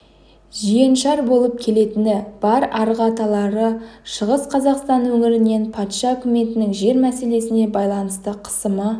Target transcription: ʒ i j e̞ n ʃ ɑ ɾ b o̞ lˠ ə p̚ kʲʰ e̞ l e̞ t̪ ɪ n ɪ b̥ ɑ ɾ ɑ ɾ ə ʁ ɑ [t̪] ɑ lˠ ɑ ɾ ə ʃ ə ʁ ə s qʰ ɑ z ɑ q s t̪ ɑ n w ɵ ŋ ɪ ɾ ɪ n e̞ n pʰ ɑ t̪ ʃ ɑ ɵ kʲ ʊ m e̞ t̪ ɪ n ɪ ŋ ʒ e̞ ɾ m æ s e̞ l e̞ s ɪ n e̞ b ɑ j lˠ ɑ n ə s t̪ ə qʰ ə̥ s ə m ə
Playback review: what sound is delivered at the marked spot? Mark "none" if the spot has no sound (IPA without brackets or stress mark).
t̪